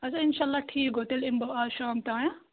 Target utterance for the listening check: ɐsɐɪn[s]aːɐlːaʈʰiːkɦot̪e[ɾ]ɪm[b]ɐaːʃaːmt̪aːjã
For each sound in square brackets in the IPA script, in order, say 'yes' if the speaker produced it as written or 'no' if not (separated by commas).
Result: no, no, yes